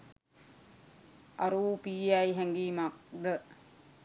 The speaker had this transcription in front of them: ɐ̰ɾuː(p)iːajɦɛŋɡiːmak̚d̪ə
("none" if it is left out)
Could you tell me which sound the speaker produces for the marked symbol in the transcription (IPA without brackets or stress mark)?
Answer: p